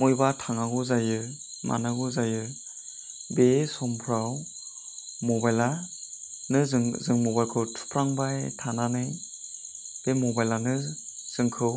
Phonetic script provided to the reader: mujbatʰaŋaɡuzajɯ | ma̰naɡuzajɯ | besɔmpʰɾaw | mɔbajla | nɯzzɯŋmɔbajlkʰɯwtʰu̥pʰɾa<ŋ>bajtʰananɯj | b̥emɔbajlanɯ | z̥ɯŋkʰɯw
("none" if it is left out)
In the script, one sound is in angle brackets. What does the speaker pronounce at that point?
ŋ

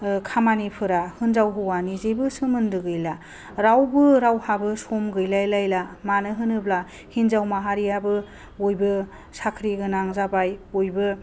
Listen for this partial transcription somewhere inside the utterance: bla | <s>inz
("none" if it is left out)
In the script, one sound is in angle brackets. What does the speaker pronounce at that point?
h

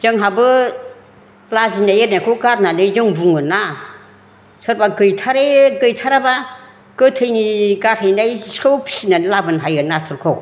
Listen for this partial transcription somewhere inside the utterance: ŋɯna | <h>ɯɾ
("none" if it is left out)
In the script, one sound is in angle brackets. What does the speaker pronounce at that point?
s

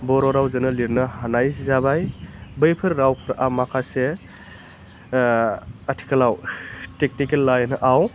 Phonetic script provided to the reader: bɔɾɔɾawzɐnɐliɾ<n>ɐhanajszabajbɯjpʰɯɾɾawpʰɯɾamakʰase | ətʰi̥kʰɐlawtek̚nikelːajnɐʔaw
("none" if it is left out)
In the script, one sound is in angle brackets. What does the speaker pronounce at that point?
n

